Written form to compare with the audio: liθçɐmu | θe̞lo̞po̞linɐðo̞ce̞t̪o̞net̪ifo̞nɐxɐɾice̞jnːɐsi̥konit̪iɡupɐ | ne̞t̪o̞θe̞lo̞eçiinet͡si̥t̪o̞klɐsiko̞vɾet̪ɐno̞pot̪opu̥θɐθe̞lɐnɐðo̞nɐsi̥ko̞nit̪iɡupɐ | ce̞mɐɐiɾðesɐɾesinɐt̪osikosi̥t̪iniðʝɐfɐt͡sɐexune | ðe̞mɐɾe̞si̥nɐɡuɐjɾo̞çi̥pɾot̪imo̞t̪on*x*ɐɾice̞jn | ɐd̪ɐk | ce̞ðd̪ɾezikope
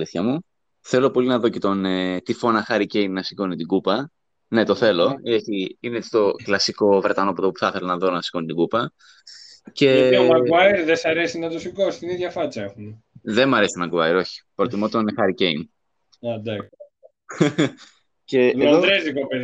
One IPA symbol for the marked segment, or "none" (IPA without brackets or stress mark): x